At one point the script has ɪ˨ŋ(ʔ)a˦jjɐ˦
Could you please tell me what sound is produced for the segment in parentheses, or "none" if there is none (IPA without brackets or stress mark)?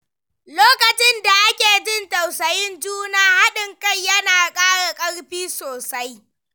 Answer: k